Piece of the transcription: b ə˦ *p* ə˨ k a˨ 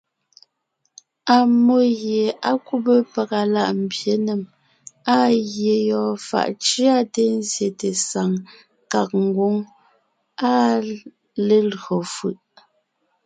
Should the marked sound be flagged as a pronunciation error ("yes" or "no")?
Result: no